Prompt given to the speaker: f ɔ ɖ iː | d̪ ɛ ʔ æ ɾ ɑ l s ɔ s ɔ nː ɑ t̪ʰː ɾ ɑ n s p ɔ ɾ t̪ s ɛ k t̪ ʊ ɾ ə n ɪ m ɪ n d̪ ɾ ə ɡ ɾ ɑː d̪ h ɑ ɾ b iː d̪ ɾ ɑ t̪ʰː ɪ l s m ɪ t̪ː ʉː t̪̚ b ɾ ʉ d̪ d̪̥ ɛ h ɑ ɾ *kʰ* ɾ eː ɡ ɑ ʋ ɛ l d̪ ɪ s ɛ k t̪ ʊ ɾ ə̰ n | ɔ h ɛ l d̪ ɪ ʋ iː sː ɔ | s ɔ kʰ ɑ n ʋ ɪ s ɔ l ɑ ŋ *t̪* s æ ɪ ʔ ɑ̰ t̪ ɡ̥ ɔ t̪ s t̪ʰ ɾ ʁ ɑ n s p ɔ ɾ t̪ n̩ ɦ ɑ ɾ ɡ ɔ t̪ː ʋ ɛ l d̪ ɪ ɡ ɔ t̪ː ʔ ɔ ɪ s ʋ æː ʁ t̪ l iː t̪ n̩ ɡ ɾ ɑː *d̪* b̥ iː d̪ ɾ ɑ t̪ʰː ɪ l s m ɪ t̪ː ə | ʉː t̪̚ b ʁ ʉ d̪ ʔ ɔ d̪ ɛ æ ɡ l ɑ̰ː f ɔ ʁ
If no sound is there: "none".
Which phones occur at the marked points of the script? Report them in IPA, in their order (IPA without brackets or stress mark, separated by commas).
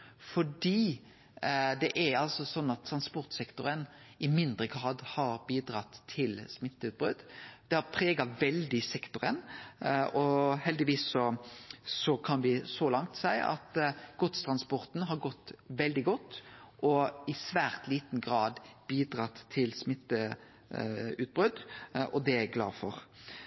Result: pʰ, t̪, d̪